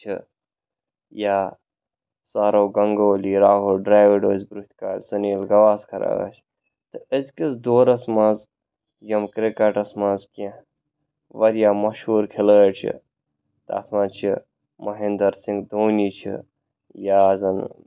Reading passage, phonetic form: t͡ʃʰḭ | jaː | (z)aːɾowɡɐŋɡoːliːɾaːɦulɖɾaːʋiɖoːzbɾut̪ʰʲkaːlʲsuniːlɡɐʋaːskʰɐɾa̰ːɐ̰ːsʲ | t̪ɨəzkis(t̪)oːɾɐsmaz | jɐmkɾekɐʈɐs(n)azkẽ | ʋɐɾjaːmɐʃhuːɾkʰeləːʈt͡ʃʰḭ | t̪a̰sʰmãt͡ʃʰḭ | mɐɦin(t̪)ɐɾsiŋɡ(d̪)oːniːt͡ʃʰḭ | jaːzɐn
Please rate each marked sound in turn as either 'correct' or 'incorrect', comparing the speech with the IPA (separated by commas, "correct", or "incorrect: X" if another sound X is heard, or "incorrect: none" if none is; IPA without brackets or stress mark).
incorrect: s, incorrect: d̪, incorrect: m, incorrect: d̪, correct